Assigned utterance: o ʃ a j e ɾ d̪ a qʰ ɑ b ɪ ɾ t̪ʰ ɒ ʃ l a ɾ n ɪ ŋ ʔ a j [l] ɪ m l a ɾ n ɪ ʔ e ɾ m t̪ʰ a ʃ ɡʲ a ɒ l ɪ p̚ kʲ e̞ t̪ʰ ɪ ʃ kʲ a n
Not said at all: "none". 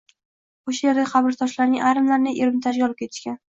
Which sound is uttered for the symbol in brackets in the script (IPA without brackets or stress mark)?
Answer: ɾ